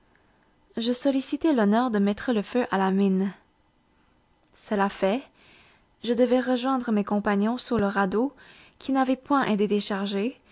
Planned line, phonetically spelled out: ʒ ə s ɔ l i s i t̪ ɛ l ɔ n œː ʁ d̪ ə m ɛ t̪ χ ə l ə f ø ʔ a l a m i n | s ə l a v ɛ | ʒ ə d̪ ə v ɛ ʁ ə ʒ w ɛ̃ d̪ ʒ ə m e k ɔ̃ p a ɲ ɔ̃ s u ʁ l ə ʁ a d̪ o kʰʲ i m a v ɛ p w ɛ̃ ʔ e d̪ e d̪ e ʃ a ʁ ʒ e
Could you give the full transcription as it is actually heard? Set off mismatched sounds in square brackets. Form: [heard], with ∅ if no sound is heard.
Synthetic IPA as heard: ʒ ə s ɔ l i s i t̪ ɛ l ɔ n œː ʁ d̪ ə m ɛ t̪ χ ə l ə f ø ʔ a l a m i n | s ə l a [f] ɛ | ʒ ə d̪ ə v ɛ ʁ ə ʒ w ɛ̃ d̪ [ʁ] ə m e k ɔ̃ p a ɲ ɔ̃ s u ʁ l ə ʁ a d̪ o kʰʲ i [n] a v ɛ p w ɛ̃ ʔ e d̪ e d̪ e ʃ a ʁ ʒ e

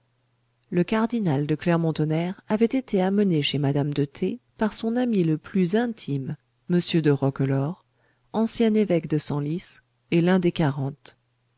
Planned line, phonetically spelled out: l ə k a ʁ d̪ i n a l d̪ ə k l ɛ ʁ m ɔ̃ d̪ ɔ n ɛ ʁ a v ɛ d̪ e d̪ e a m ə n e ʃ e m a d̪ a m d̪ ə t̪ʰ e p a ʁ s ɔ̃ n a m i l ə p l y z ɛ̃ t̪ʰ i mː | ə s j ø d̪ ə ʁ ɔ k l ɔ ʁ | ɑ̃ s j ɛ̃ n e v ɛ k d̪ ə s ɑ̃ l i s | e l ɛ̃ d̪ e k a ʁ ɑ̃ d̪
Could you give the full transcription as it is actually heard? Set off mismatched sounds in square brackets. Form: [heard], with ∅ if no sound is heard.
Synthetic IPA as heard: l ə k a ʁ d̪ i n a l d̪ ə k l ɛ ʁ m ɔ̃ [t̪] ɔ n ɛ ʁ a v ɛ [t̪] e [t̪] e a m ə n e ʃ e m a d̪ a m d̪ ə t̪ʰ e p a ʁ s ɔ̃ n a m i l ə p l y z ɛ̃ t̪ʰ i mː | ə s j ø d̪ ə ʁ ɔ k l ɔ ʁ | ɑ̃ s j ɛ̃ n e v ɛ k d̪ ə s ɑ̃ l i s | e l ɛ̃ d̪ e k a ʁ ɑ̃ [t̪]

